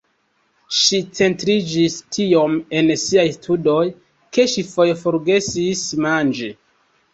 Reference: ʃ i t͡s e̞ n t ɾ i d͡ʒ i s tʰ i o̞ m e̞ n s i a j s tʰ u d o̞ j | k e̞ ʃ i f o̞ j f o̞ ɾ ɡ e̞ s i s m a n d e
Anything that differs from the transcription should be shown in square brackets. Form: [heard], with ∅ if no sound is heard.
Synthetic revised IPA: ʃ i t͡s e̞ n t ɾ i d͡ʒ i s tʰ i o̞ m e̞ n s i a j s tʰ u d o̞ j | k e̞ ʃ i f o̞ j f o̞ ɾ ɡ e̞ s i s m a n [d͡ʒ] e